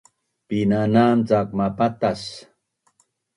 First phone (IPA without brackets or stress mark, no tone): p